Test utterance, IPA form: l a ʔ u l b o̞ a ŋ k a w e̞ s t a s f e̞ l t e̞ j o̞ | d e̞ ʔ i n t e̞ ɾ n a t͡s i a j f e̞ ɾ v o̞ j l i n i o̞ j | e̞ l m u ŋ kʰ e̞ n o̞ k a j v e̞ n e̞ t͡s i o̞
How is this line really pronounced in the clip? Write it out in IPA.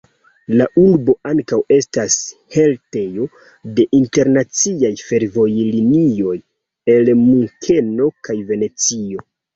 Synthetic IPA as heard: l a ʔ u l b o̞ a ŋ k a w e̞ s t a s h e̞ l t e̞ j o̞ | d e̞ ʔ i n t e̞ ɾ n a t͡s i a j f e̞ ɾ v o̞ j l i n i o̞ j | e̞ l m u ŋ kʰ e̞ n o̞ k a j v e̞ n e̞ t͡s i o̞

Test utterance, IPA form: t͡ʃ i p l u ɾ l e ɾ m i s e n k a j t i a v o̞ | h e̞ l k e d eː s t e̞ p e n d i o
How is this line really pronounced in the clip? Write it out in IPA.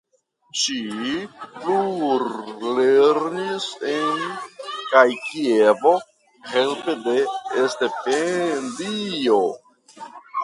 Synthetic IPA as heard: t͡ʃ i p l u ɾ l e ɾ n i s e n k a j k i e v o̞ | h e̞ l p e d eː s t e̞ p e n d i o

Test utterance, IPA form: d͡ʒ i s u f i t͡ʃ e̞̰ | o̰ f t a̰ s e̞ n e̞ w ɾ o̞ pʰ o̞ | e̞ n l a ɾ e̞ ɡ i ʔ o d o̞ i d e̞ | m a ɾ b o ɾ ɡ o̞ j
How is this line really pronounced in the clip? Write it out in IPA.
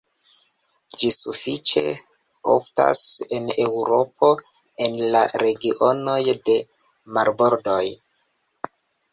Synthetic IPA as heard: d͡ʒ i s u f i t͡ʃ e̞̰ | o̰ f t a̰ s e̞ n e̞ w ɾ o̞ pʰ o̞ | e̞ n l a ɾ e̞ ɡ i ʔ o n o̞ j d e̞ | m a ɾ b o ɾ d o̞ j

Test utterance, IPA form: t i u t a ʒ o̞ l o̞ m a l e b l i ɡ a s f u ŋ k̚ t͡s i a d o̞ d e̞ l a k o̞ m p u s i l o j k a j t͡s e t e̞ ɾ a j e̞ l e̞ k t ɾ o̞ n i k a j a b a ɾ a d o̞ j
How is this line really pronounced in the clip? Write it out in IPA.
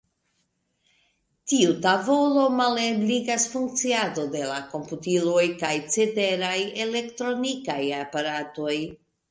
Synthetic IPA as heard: t i u t a v o̞ l o̞ m a l e b l i ɡ a s f u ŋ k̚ t͡s i a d o̞ d e̞ l a k o̞ m p u t i l o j k a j t͡s e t e̞ ɾ a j e̞ l e̞ k t ɾ o̞ n i k a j a p a ɾ a t o̞ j

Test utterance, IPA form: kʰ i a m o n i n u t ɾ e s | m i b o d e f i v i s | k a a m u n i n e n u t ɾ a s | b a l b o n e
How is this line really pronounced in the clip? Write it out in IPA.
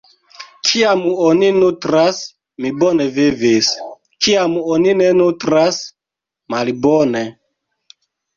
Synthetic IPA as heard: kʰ i a m o n i n u t ɾ a s | m i b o n e v i v i s | k i a m o n i n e n u t ɾ a s | m a l b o n e

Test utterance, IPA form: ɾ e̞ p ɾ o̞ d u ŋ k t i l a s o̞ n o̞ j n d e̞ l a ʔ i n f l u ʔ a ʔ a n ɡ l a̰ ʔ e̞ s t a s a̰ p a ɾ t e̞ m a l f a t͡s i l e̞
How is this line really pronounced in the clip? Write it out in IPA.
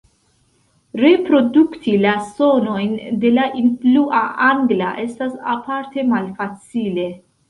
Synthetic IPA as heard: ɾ e̞ p ɾ o̞ d u k t i l a s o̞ n o̞ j n d e̞ l a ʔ i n f l u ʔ a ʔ a ŋ ɡ l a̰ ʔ e̞ s t a s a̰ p a ɾ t e̞ m a l f a t͡s i l e̞

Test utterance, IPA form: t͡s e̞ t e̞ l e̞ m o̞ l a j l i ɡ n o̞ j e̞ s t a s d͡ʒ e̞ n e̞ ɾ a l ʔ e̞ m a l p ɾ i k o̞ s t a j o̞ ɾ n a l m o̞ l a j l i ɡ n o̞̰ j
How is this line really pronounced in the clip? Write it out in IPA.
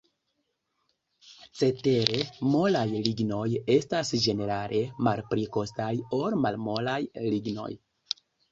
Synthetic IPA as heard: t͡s e̞ t e̞ ɾ e̞ m o̞ l a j l i ɡ n o̞ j e̞ s t a s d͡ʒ e̞ n e̞ ɾ a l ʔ e̞ m a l p ɾ i k o̞ s t a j o̞ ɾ m a l m o̞ l a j l i ɡ n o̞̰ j

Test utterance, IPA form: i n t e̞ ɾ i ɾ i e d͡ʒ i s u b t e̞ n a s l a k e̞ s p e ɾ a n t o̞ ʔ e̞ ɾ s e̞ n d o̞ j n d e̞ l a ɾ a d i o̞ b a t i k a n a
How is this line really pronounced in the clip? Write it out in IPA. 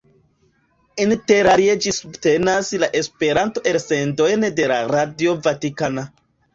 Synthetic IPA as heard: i n t e̞ ɾ a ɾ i e d͡ʒ i s u b t e̞ n a s l a ʔ e̞ s p e ɾ a n t o̞ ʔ e̞ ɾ s e̞ n d o̞ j n d e̞ l a ɾ a d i o̞ v a t i k a n a

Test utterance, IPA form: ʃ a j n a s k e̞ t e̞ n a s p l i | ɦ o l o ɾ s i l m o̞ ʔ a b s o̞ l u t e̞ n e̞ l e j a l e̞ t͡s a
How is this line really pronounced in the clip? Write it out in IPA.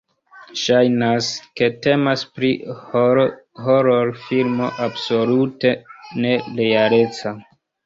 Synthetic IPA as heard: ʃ a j n a s k e̞ t e̞ m a s p ɾ i | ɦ o ɾ o ɾ f i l m o̞ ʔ a b s o̞ l u t e̞ n e̞ l e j a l e̞ t͡s a

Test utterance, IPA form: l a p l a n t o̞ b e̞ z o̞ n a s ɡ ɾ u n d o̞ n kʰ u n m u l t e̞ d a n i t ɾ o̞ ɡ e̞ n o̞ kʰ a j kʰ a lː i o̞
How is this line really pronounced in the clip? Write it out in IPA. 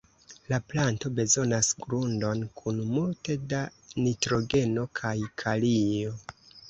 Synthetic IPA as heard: l a p l a n t o̞ b e̞ z o̞ n a s ɡ ɾ u n d o̞ n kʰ u n m u l t e̞ d a n i t ɾ o̞ ɡ e̞ n o̞ kʰ a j kʰ a l i o̞

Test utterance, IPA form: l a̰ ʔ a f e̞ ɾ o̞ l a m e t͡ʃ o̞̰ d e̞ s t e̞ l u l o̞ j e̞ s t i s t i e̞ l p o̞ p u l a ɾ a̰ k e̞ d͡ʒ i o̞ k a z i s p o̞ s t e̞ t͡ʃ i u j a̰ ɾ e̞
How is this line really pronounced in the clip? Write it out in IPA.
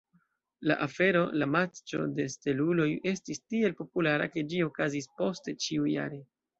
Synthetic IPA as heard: l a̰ ʔ a f e̞ ɾ o̞ l a m a t͡ʃ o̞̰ d e̞ s t e̞ l u l o̞ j e̞ s t i s t i e̞ l p o̞ p u l a ɾ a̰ k e̞ d͡ʒ i o̞ k a z i s p o̞ s t e̞ t͡ʃ i u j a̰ ɾ e̞

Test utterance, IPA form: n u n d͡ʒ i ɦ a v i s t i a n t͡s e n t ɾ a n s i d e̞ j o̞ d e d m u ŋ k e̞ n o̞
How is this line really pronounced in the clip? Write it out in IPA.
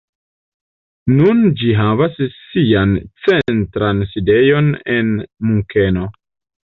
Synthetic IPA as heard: n u n d͡ʒ i ɦ a v a s s i a n t͡s e n t ɾ a n s i d e̞ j o̞ n e n m u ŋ k e̞ n o̞

